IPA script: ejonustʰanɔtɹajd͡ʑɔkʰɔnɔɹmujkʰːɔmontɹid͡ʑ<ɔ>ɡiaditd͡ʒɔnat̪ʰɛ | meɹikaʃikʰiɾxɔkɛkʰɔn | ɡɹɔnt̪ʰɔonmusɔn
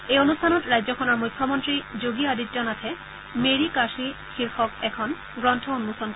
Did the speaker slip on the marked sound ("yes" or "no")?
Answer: yes